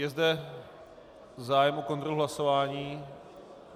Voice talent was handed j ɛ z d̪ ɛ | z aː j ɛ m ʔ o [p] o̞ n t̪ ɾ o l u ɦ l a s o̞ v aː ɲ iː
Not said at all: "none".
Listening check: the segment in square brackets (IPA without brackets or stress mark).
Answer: k